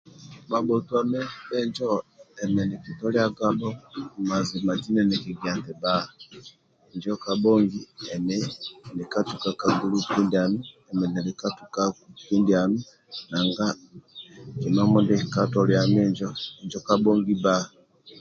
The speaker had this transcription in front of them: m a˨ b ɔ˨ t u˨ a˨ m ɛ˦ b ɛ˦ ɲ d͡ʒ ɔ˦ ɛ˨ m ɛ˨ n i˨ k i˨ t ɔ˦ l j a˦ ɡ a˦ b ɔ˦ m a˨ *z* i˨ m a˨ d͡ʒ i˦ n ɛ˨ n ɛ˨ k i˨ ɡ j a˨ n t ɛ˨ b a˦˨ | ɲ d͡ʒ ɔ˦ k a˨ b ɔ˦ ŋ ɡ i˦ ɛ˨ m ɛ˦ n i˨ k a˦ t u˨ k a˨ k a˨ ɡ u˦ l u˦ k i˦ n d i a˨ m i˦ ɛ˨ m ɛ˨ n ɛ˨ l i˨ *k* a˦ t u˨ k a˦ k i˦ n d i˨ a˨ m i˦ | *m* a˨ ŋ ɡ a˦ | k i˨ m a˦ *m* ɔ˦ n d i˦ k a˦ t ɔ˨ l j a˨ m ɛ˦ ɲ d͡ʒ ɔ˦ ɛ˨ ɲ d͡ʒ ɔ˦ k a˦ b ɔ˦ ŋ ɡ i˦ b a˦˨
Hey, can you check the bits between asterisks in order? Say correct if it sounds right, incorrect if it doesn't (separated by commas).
correct, correct, incorrect, correct